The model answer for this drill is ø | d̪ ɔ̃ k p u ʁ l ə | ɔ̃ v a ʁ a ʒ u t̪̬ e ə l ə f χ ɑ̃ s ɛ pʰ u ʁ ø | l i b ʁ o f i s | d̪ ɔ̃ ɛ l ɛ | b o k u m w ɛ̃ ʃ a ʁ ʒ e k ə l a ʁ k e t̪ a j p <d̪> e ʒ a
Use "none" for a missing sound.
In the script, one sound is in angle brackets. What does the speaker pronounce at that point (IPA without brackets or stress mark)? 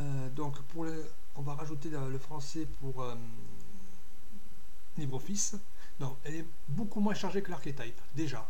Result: d̪